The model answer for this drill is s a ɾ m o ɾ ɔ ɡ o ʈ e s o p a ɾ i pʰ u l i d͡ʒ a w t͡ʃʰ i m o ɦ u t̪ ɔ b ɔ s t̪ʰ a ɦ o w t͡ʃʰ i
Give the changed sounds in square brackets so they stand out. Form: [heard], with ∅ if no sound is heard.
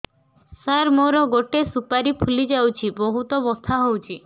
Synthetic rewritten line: s a ɾ m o ɾ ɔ ɡ o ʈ e s [u] p a ɾ i pʰ u l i d͡ʒ a w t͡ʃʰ i [b] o ɦ u t̪ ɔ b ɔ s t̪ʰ a ɦ o w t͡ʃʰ i